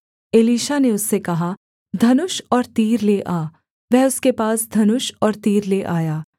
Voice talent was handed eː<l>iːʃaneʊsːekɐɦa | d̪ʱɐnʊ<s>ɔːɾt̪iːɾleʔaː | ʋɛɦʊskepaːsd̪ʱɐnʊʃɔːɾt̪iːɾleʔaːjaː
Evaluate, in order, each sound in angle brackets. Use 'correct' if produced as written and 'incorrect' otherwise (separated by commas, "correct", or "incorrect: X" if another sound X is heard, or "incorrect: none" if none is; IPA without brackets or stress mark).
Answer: correct, incorrect: ʃ